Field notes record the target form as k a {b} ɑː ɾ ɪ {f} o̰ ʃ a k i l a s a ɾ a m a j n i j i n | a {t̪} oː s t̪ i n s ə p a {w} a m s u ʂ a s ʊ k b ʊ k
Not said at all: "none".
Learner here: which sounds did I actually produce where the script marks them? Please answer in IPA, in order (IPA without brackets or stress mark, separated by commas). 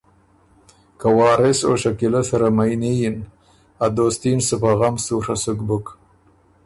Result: w, s, d̪, ɣ